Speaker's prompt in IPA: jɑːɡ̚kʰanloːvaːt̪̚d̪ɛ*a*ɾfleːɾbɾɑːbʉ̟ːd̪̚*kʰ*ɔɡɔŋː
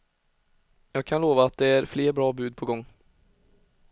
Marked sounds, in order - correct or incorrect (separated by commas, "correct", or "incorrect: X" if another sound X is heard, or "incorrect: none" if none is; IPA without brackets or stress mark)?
incorrect: æ, incorrect: pʰ